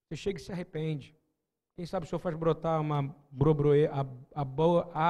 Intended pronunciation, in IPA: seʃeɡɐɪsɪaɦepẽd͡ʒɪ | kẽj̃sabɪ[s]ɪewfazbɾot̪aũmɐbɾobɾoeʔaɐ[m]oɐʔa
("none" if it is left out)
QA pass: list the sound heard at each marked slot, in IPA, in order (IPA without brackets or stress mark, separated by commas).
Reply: s, b